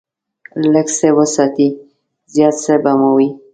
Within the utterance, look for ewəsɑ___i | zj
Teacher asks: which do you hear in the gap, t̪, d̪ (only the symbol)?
t̪